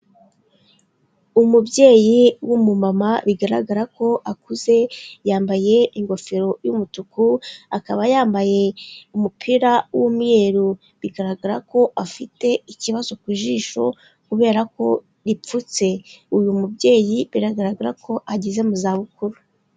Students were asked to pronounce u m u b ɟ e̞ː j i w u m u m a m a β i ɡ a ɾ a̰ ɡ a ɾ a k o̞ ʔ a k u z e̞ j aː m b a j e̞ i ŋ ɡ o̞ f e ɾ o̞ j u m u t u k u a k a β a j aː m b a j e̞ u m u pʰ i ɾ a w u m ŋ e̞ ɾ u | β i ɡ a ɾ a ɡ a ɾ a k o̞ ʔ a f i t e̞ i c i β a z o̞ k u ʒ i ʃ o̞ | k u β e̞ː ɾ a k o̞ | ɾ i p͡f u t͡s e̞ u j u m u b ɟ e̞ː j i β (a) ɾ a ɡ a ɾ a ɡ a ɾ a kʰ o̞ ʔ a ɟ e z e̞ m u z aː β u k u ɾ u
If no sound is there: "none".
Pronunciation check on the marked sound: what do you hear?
i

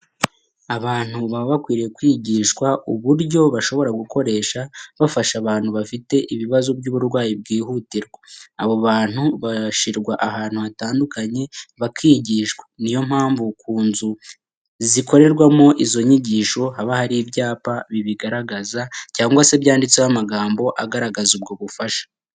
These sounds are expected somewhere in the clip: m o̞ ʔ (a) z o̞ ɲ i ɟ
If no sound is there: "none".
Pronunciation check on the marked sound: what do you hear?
i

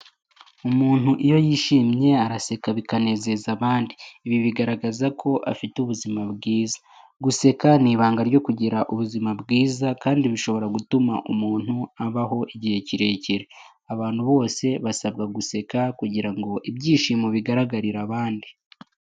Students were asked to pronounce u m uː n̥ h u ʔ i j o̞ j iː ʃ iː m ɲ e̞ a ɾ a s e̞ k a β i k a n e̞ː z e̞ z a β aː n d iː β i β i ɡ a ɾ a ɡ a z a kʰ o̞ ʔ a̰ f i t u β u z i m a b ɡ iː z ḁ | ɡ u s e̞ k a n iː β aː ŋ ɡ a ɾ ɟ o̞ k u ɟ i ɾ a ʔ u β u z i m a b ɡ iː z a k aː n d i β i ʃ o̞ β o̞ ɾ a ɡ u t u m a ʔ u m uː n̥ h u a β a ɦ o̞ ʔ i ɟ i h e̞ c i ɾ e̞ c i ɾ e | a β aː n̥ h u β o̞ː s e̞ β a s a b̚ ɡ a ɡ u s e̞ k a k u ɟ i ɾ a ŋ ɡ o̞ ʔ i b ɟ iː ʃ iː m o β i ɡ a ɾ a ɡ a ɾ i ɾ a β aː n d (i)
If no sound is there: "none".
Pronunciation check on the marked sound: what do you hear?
i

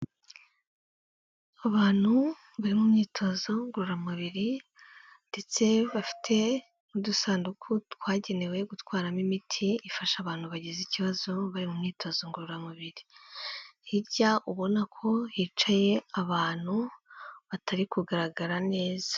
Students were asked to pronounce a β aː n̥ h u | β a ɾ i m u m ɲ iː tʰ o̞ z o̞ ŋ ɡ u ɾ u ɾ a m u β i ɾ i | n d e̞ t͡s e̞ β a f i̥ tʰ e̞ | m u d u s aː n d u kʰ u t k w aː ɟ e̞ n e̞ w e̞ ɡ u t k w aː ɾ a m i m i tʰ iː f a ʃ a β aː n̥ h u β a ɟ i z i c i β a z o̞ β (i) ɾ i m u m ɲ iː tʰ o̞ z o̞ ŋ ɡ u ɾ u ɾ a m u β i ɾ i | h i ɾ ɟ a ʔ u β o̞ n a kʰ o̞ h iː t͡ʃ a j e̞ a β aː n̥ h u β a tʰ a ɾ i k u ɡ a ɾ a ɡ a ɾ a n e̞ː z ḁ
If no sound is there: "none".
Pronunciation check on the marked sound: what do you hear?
a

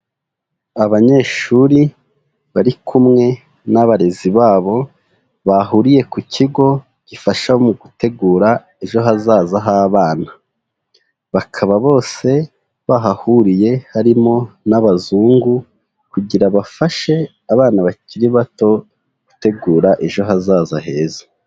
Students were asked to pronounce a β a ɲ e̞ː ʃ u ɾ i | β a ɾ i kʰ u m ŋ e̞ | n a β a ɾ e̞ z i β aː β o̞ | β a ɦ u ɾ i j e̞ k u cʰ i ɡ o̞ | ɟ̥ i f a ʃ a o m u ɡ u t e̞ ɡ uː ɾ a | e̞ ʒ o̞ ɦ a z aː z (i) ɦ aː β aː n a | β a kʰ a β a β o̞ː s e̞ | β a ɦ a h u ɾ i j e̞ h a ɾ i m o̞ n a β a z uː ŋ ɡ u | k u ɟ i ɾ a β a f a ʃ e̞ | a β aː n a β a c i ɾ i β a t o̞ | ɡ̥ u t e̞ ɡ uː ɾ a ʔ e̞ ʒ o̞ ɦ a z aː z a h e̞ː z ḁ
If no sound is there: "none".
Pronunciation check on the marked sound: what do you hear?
a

